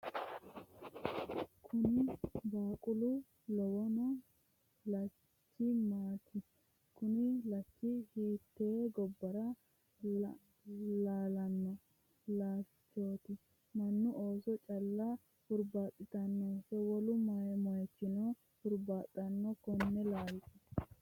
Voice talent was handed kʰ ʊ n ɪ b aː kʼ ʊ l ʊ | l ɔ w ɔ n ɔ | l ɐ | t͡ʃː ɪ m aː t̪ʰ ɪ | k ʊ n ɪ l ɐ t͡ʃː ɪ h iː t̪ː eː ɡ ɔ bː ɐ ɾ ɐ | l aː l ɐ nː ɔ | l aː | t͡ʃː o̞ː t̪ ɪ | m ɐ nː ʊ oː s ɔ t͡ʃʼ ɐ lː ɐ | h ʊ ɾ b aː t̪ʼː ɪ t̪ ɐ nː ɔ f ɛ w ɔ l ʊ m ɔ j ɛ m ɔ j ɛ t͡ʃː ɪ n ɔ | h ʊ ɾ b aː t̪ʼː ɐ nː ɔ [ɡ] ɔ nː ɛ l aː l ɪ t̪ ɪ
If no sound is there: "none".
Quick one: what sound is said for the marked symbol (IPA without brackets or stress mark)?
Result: k